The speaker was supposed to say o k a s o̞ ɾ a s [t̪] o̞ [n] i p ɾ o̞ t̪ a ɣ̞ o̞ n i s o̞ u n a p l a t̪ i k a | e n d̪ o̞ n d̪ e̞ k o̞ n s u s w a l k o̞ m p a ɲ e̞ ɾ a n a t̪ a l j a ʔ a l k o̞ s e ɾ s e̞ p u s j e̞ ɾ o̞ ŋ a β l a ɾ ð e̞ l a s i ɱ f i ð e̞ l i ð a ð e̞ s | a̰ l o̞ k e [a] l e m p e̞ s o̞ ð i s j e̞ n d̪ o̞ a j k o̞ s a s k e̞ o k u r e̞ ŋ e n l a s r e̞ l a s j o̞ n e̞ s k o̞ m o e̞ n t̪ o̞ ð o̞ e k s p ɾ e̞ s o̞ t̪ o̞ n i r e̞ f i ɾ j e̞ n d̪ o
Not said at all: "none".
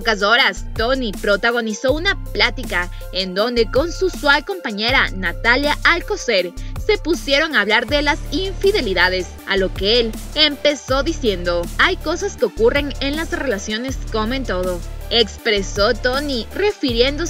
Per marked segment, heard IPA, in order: t̪, n, e

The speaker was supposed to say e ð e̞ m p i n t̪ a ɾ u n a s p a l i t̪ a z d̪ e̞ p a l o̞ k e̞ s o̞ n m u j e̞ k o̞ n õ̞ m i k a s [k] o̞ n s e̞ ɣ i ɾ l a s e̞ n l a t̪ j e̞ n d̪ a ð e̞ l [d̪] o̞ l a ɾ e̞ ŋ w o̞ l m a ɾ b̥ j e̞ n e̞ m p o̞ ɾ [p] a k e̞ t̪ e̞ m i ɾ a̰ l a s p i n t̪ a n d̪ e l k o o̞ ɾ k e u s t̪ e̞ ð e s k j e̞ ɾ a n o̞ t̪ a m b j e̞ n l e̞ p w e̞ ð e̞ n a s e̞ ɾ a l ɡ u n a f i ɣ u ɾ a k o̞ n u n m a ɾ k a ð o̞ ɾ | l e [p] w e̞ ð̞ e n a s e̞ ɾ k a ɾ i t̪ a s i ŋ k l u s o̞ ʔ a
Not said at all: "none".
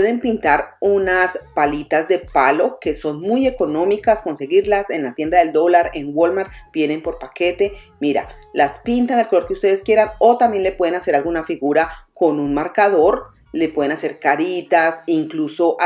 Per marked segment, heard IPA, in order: k, d̪, p, p

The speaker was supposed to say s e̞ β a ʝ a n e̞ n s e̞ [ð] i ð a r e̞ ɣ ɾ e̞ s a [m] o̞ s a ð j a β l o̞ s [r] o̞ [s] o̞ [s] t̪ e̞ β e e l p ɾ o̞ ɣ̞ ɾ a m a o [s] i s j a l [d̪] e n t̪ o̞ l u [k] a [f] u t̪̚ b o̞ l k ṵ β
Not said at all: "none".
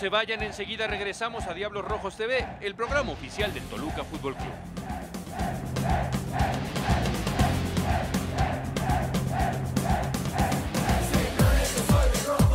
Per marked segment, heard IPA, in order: ɣ, m, r, x, s, f, d̪, k, f

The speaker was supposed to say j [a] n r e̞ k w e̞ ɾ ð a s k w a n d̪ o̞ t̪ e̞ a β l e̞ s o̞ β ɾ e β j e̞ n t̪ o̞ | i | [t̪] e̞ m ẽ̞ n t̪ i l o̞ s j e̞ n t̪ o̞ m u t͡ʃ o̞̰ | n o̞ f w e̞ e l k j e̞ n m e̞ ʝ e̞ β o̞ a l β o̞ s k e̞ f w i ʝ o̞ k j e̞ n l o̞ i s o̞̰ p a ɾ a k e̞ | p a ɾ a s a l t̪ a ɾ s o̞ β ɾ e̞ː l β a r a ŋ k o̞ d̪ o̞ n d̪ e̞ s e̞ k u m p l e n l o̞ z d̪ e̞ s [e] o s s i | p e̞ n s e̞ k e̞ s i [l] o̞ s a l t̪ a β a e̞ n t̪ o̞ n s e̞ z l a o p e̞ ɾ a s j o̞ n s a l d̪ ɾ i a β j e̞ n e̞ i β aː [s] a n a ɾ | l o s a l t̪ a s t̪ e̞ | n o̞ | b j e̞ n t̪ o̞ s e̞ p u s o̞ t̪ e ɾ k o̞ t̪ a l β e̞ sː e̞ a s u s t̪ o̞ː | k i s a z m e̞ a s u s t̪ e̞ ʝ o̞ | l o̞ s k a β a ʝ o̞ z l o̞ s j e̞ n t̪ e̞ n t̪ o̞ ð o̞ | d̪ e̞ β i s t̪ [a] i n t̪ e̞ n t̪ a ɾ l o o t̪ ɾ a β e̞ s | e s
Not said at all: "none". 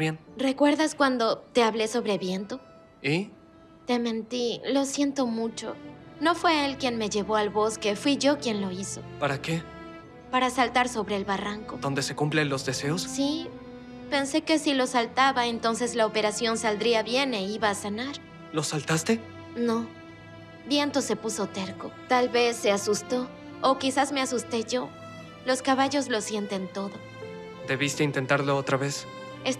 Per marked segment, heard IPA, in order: e, t̪, e, l, s, e

